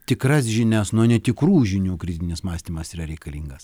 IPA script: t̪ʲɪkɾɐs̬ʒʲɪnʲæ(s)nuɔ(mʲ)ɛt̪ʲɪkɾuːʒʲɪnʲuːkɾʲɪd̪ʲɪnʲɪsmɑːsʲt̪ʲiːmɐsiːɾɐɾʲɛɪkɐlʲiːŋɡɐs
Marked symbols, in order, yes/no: yes, no

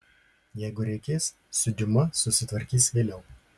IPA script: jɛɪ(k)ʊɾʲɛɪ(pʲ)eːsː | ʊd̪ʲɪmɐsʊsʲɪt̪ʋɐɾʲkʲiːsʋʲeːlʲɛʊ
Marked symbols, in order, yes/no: no, no

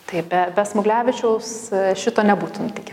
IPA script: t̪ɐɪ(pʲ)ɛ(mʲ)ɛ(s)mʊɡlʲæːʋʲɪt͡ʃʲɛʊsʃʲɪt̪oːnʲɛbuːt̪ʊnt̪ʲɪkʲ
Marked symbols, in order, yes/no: no, no, yes

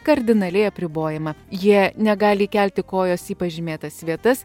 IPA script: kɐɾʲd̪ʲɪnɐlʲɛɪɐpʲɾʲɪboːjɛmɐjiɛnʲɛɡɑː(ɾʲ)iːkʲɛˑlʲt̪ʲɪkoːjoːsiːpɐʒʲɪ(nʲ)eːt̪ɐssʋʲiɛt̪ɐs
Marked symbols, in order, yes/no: no, no

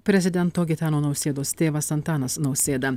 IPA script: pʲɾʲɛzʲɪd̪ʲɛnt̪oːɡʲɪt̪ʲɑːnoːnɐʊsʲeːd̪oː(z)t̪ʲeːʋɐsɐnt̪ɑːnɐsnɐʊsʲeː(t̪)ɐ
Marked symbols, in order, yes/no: no, no

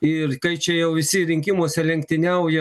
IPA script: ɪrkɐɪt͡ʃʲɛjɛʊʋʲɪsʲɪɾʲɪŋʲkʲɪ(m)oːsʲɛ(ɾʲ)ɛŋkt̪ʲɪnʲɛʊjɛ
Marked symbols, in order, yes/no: yes, no

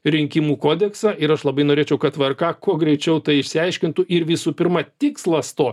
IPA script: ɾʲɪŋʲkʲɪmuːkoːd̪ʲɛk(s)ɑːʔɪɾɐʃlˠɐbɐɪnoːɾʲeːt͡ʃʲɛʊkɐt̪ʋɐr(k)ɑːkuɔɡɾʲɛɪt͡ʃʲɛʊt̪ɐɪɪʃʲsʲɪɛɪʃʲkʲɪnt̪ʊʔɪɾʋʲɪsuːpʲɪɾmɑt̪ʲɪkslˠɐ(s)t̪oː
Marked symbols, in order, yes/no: yes, yes, yes

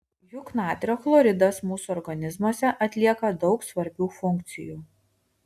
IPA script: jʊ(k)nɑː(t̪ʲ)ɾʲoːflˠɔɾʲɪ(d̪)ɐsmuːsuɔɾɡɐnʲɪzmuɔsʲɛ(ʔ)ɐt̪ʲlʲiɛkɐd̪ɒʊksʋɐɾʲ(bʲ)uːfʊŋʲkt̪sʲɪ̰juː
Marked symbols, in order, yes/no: yes, yes, yes, yes, yes

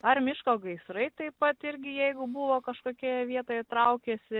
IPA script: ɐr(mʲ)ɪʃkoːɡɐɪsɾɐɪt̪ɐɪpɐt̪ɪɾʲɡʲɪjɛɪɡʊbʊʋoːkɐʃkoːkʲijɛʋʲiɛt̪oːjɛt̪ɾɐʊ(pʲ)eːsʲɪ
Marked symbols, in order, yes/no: yes, no

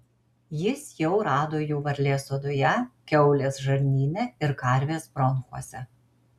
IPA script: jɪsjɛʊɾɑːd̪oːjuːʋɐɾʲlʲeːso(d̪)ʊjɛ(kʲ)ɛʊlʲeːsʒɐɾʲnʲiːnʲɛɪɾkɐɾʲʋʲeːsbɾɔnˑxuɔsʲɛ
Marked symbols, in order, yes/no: yes, yes

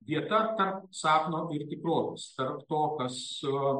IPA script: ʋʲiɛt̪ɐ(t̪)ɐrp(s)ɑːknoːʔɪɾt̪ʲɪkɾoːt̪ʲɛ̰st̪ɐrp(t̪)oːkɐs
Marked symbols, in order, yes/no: yes, yes, yes

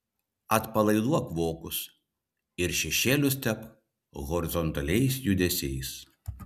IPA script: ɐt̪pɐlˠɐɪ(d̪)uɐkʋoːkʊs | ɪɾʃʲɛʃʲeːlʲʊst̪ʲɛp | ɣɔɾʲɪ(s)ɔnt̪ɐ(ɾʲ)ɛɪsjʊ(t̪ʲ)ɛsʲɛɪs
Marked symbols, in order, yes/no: yes, no, no, no

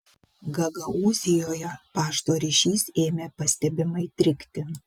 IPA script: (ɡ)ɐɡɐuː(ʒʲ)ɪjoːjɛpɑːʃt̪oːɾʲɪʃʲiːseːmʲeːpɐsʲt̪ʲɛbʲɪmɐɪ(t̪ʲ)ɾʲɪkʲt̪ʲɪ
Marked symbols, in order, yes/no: yes, no, yes

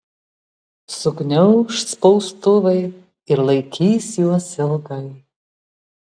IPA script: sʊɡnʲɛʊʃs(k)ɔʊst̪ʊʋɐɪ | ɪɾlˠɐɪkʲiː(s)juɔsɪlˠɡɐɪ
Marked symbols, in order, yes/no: no, yes

